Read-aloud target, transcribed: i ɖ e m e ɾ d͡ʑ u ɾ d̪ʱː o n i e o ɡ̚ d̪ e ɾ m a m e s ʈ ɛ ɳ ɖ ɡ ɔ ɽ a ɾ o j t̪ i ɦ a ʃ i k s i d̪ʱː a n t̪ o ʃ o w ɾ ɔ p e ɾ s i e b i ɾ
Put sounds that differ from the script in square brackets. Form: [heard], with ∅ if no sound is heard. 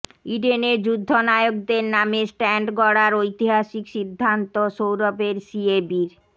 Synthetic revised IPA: i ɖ e [n] e ɾ d͡ʑ u [∅] d̪ʱː o n [a] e o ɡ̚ d̪ e ɾ [n] a m e s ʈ ɛ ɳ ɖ ɡ ɔ ɽ a ɾ o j t̪ i ɦ a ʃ i k [ʃ] i d̪ʱː a n t̪ o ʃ o w ɾ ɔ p e ɾ s i e b i ɾ